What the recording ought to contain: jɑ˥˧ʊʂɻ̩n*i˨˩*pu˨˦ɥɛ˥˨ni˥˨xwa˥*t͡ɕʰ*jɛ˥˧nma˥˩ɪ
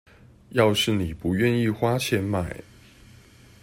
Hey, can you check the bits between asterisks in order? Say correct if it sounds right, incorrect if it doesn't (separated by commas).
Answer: correct, correct